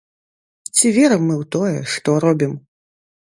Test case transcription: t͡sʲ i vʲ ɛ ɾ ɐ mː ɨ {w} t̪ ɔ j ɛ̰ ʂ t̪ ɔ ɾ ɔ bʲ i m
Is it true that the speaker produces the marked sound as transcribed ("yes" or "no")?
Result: yes